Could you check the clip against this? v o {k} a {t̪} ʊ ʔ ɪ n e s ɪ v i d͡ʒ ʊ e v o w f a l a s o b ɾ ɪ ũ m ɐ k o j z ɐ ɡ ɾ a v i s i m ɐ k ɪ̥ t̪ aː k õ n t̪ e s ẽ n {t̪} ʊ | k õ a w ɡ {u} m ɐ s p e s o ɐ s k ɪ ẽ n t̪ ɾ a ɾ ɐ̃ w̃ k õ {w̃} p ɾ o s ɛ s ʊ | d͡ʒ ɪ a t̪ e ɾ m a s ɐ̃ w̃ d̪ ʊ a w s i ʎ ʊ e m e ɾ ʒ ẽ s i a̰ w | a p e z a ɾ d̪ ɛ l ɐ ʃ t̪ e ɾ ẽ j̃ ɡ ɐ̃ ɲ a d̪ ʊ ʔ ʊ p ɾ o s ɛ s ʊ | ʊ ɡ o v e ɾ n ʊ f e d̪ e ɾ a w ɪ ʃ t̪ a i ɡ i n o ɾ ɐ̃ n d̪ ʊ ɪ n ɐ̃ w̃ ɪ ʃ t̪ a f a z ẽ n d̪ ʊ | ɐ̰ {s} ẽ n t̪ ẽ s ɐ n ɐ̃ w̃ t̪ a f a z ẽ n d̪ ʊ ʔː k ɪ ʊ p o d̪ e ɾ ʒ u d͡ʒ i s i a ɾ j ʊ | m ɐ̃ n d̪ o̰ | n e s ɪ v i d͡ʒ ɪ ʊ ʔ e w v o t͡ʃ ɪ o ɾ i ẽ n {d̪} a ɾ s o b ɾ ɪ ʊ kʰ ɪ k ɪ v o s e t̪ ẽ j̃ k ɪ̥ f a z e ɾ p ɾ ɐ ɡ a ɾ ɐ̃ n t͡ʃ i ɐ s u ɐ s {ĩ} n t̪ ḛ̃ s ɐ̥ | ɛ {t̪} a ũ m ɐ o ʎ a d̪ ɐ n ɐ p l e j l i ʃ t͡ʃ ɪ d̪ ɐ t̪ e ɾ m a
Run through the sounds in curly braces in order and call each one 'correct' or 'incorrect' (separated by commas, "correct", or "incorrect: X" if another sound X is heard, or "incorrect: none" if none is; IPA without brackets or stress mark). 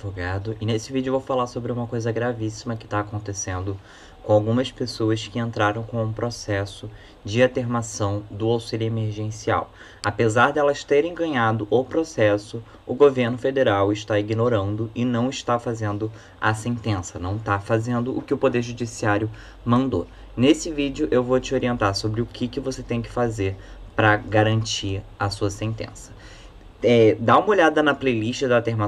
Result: incorrect: ɡ, incorrect: d̪, incorrect: d̪, incorrect: ũ, incorrect: ũ, correct, incorrect: t̪, incorrect: ẽ, incorrect: d̪